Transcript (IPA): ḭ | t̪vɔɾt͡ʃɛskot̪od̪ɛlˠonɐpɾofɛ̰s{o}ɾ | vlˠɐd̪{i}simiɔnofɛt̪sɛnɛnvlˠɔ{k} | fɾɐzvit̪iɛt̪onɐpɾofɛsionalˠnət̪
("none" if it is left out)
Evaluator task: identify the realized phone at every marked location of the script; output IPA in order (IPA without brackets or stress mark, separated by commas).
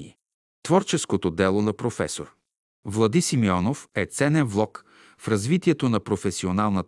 o, i, k